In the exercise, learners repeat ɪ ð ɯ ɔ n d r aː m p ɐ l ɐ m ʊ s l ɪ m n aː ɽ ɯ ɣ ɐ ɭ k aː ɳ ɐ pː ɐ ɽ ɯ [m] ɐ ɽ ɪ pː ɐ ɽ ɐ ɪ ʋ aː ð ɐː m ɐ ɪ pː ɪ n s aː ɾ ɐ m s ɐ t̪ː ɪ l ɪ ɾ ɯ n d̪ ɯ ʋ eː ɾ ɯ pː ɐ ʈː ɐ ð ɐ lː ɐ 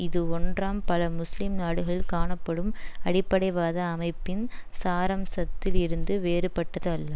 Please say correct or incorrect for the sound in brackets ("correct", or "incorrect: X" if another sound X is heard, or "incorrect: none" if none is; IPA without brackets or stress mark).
correct